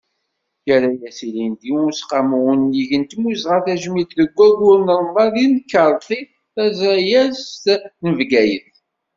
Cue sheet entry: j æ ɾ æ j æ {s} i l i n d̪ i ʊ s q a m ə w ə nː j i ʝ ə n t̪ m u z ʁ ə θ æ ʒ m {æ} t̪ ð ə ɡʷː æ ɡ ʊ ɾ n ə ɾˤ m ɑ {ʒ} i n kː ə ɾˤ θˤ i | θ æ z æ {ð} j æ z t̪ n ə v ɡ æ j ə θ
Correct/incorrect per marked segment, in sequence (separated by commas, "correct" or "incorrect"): correct, incorrect, incorrect, incorrect